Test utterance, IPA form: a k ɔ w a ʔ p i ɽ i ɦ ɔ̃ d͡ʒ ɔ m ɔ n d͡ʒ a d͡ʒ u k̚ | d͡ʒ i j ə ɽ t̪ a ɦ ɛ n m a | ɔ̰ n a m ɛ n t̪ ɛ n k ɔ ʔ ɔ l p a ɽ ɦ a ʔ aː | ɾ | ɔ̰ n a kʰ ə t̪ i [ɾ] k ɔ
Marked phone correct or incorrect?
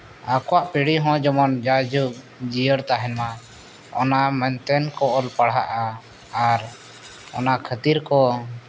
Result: correct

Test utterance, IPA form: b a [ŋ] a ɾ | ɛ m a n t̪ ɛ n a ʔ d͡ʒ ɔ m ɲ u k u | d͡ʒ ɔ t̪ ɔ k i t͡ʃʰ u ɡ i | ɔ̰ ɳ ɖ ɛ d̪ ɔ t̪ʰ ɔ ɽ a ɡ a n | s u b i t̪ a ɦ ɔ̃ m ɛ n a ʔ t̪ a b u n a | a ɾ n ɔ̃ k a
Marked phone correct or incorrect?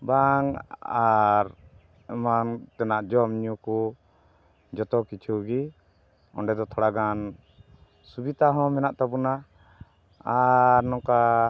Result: correct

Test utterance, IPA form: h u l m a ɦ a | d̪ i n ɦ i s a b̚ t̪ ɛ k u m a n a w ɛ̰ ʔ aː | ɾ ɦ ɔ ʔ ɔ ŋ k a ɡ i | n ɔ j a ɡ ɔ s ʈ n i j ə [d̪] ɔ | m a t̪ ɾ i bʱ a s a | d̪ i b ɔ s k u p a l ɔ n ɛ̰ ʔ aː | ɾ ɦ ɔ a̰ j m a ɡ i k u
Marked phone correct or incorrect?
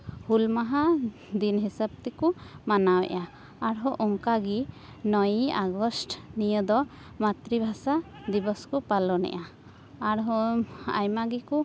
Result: correct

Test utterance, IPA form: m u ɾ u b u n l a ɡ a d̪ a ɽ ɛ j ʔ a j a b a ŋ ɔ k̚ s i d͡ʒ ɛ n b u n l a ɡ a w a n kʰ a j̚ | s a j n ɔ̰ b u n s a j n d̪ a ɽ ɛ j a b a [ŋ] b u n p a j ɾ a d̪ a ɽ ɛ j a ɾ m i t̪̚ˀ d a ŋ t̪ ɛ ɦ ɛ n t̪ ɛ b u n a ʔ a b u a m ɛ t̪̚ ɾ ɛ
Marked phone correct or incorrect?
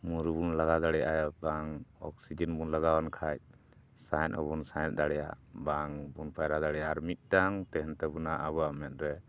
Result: correct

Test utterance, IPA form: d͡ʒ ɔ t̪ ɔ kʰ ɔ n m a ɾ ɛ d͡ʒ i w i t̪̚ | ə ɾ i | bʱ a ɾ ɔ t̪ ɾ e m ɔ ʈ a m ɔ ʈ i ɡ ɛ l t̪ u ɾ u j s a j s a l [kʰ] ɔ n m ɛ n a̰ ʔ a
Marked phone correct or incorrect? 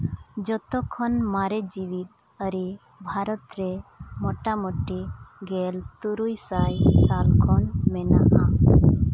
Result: correct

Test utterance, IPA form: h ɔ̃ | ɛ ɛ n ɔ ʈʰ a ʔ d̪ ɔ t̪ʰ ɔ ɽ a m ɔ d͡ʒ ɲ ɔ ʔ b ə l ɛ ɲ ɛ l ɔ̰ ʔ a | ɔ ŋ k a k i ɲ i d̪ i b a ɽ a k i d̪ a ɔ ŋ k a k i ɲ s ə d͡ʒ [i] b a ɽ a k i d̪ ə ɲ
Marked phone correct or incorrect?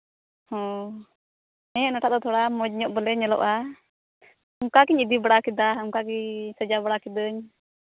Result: incorrect: a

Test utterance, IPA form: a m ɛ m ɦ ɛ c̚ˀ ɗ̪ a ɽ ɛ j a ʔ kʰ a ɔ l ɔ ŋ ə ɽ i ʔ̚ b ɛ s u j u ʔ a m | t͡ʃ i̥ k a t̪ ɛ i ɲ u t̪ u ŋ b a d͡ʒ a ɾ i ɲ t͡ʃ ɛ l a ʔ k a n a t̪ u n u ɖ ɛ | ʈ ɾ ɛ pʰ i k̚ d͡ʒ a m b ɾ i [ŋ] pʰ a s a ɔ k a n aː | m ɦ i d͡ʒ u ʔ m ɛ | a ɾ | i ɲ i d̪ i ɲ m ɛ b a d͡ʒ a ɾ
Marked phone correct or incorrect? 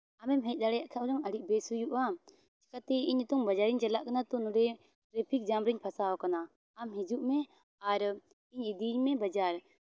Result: incorrect: ɲ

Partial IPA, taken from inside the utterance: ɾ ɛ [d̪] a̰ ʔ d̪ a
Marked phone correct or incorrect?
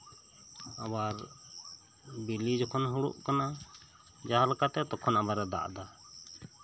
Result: correct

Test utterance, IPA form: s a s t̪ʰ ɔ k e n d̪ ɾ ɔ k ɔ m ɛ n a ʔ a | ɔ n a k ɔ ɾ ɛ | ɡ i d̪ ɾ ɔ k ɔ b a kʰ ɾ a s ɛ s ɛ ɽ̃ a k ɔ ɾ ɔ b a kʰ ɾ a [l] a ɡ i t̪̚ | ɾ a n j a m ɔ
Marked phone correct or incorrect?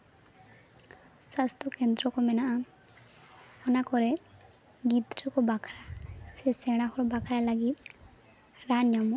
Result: correct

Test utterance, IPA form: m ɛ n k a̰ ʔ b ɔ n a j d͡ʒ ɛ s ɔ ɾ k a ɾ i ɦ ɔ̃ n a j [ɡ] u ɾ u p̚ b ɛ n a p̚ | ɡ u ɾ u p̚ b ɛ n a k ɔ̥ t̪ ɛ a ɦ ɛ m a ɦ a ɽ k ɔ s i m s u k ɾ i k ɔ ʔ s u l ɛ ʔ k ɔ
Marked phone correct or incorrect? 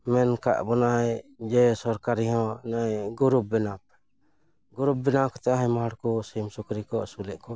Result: correct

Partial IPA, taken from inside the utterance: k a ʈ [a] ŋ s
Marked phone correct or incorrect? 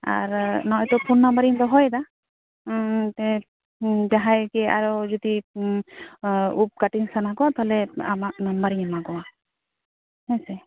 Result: incorrect: i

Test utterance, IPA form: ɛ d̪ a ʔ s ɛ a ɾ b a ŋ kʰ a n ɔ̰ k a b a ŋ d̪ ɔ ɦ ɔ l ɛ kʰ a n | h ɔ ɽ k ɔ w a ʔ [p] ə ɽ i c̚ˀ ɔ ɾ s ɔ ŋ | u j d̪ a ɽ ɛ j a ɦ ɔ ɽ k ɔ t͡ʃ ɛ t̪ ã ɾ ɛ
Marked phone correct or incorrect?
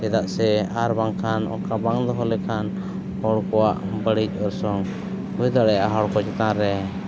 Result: incorrect: b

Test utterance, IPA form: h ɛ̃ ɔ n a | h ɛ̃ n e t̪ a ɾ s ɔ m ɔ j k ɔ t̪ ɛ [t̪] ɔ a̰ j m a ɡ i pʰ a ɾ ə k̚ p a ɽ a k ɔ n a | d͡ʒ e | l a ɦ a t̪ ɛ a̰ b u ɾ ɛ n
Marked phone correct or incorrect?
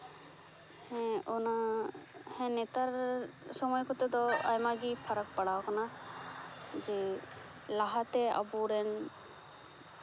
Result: incorrect: d̪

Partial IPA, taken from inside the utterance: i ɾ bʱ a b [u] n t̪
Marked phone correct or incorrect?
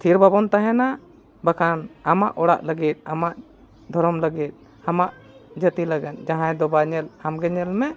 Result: incorrect: ɔ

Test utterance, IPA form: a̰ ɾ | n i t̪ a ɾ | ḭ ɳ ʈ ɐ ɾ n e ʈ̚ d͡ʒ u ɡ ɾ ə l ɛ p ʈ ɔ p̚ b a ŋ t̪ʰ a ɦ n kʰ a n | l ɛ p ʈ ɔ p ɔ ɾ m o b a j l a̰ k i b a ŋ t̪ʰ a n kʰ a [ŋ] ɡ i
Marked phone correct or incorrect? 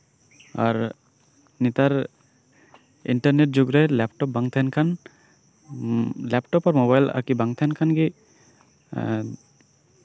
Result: incorrect: n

